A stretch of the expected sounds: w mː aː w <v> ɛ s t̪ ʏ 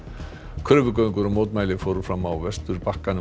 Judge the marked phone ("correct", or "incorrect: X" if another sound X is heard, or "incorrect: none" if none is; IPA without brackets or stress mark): correct